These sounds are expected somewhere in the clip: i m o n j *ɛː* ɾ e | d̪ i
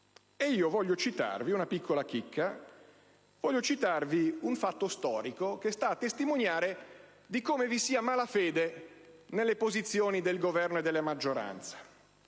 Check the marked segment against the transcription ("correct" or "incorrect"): incorrect